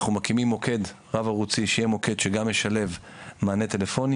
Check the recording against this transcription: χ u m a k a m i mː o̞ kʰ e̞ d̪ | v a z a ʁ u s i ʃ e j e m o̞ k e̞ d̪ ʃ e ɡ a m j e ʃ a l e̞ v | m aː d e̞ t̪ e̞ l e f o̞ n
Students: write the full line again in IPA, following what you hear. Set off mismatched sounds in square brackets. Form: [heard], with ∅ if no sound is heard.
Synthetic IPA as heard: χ u m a k [i] m i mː o̞ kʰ e̞ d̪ | [ʁ] a [v] a ʁ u [t͡s] i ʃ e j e m o̞ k e̞ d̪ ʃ e ɡ a m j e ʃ a l e̞ v | m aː [n] e̞ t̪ e̞ l e f o̞ n